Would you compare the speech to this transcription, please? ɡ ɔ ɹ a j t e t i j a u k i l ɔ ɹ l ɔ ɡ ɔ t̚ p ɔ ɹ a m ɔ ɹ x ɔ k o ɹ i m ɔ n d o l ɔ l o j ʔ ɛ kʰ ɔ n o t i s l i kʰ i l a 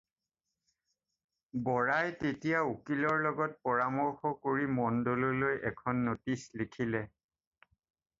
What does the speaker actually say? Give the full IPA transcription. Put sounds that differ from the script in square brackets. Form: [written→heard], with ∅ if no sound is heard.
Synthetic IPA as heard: [ɡ→b] ɔ ɹ a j t e t i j a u k i l ɔ ɹ l ɔ ɡ ɔ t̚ p ɔ ɹ a m ɔ ɹ x ɔ k o ɹ i m ɔ n d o l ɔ l o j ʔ ɛ kʰ ɔ [n→nː] o t i s l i kʰ i l [a→ɛ]